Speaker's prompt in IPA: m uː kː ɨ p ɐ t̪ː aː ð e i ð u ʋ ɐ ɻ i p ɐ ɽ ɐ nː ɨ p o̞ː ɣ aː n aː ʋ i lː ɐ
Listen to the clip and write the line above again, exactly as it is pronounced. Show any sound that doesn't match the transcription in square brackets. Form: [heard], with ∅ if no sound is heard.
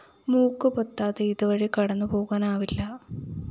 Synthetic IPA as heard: m uː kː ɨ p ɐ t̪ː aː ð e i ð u ʋ ɐ ɻ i [k] ɐ ɽ ɐ nː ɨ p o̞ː ɣ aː n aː ʋ i lː ɐ